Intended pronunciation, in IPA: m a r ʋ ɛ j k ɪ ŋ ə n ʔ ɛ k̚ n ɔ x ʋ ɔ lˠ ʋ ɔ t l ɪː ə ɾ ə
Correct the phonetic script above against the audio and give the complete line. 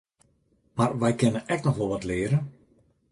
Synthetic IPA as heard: m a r ʋ ɛ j k ɪ n ə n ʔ ɛ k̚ n ɔ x ʋ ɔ lˠ ʋ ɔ t l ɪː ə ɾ ə